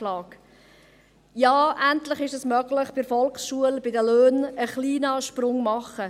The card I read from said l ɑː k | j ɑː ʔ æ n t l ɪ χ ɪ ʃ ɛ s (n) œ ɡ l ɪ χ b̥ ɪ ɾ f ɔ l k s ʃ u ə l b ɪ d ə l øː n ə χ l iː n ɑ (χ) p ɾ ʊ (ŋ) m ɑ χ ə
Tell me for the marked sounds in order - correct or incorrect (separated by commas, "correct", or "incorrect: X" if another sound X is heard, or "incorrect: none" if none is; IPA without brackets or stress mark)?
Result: incorrect: m, incorrect: ʃ, correct